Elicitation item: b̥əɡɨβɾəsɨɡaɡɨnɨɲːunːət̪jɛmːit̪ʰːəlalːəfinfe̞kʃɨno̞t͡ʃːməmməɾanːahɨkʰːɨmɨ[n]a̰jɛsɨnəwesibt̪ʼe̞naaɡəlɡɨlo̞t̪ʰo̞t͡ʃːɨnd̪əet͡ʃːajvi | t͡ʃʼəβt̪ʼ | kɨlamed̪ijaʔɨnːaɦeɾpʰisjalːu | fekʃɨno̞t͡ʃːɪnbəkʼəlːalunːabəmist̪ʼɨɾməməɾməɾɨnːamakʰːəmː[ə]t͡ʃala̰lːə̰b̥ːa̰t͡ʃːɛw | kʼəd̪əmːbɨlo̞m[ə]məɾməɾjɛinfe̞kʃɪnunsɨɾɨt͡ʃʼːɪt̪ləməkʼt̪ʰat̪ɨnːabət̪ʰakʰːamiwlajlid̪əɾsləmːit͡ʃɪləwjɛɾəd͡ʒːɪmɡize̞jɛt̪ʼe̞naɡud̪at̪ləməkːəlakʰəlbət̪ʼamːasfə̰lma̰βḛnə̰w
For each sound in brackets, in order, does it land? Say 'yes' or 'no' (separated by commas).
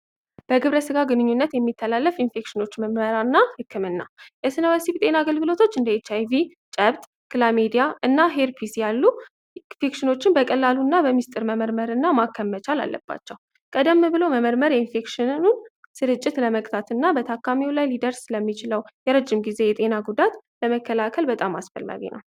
no, yes, yes